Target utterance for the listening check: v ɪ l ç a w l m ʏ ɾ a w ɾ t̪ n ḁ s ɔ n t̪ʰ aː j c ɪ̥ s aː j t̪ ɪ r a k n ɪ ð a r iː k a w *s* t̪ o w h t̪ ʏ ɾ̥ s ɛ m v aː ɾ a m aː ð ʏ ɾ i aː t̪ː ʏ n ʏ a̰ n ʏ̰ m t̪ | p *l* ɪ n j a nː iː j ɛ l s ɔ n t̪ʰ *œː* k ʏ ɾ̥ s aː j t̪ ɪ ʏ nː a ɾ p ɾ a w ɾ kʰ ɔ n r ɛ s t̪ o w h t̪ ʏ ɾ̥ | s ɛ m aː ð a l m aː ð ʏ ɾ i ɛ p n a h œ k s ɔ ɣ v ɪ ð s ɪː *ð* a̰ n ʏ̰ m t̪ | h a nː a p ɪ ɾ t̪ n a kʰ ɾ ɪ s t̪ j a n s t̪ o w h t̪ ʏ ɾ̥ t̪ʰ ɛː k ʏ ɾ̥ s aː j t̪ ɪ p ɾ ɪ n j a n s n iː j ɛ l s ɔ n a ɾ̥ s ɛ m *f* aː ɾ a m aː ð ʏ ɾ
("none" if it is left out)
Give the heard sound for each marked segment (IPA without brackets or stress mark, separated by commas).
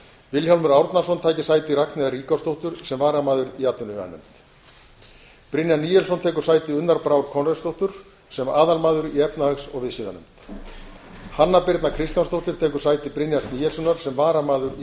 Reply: s, ɾ, ɛː, ð, v